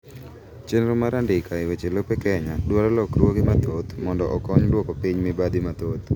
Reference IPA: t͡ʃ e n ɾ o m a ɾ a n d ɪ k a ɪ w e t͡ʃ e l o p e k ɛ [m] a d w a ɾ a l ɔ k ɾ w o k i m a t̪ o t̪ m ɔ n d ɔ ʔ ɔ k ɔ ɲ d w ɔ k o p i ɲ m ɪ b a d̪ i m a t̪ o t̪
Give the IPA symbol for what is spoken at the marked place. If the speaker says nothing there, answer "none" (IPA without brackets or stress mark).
ɲ